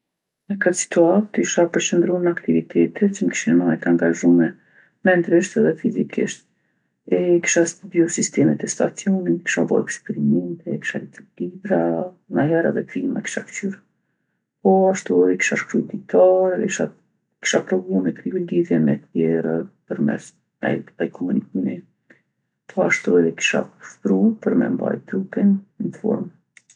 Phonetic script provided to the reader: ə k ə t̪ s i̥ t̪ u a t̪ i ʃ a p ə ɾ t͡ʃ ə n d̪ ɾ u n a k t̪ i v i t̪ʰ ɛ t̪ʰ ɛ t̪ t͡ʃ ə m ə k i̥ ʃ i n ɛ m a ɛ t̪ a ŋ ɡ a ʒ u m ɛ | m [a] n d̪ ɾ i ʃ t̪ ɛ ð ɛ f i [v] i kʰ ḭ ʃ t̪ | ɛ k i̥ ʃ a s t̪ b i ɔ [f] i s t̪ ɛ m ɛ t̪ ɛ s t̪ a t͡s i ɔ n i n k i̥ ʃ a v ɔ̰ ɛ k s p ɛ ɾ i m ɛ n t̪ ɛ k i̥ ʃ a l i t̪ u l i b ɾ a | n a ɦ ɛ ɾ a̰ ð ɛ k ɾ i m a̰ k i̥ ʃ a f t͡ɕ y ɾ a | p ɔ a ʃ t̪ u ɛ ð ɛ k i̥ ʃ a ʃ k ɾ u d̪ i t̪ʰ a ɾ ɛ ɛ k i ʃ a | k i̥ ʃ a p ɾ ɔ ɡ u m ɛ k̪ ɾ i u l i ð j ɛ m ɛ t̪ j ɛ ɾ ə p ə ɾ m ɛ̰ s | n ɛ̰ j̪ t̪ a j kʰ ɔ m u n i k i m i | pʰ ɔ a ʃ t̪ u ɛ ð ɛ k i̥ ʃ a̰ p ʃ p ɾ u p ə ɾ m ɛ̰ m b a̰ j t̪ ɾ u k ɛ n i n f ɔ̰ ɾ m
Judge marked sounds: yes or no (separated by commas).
no, no, no